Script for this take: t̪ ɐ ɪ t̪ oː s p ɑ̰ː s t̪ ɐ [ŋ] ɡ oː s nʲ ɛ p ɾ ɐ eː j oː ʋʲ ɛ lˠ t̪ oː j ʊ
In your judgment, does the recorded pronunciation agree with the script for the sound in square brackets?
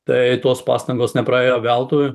yes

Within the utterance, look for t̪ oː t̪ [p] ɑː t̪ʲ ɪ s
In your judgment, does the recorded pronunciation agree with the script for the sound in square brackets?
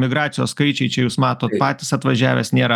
yes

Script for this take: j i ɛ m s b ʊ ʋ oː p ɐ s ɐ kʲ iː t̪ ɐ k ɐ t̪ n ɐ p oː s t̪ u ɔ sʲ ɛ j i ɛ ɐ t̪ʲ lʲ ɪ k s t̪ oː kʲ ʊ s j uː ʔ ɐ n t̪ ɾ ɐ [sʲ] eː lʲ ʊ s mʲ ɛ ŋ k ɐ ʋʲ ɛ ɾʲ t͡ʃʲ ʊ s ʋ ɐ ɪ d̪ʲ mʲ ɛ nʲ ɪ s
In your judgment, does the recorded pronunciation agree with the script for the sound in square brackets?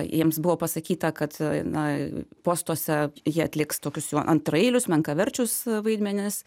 no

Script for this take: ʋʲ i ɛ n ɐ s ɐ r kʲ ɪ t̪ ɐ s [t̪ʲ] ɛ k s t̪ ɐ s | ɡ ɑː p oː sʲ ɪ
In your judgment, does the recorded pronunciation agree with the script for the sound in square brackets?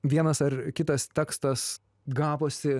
yes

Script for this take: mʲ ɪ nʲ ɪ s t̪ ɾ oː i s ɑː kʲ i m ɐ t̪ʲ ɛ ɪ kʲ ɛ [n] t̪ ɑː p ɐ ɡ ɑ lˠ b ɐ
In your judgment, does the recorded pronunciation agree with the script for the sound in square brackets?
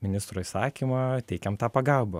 no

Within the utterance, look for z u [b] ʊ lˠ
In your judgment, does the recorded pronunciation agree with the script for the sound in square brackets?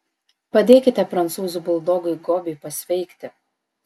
yes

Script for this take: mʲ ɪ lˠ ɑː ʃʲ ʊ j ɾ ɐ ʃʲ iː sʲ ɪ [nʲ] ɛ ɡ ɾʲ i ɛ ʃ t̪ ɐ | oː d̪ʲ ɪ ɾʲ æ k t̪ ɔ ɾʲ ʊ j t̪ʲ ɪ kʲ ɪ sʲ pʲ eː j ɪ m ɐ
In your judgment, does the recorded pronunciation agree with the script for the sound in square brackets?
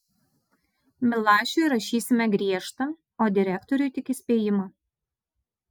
no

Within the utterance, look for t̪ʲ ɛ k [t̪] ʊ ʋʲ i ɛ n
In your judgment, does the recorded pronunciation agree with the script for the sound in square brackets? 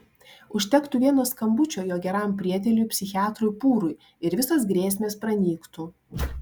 yes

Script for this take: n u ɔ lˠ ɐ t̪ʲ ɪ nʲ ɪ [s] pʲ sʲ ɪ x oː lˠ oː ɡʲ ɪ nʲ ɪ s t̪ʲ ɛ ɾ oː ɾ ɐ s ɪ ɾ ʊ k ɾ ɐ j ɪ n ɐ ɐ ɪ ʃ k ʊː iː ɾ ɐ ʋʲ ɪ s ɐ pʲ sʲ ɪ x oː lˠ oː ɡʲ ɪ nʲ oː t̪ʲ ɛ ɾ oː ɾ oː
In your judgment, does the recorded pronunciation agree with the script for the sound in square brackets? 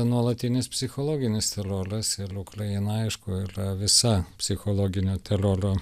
yes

